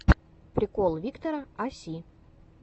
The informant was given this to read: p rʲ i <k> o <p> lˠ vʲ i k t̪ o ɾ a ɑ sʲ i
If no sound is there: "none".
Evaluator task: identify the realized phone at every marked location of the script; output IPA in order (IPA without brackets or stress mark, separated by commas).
k, none